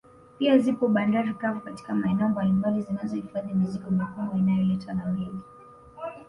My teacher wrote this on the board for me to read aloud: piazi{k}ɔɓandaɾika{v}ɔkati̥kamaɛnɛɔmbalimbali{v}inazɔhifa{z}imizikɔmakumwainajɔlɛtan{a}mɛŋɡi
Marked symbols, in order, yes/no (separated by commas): no, yes, no, no, yes